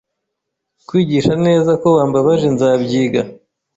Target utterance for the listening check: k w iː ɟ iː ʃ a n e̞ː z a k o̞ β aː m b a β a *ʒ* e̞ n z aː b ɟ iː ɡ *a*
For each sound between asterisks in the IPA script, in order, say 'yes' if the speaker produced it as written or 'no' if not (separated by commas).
yes, yes